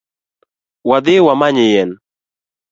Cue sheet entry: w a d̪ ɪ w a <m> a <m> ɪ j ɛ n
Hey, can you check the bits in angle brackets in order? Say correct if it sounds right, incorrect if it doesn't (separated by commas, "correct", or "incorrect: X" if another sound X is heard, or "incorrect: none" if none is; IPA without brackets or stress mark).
correct, incorrect: ɲ